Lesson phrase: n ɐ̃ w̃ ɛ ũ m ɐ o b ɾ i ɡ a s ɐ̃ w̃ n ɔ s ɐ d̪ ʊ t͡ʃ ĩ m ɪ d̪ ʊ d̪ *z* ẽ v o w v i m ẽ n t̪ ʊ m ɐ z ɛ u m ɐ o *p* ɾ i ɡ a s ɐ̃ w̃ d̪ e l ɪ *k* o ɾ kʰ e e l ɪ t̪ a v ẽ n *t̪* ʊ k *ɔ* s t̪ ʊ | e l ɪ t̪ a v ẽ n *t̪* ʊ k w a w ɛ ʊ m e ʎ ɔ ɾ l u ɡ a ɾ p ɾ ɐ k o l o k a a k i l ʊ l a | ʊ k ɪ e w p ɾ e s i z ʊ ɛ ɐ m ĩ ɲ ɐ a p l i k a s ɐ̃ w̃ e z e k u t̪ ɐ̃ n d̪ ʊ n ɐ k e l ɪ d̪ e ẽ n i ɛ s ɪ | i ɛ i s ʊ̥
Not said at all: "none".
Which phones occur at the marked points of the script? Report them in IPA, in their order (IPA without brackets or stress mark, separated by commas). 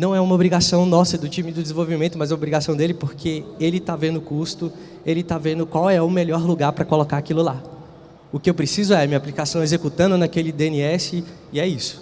z, b, p, d̪, u, d̪